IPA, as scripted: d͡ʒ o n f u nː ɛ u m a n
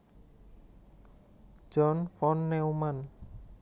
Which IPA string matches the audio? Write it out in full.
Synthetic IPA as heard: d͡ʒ ɔ n f ɔ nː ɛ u m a n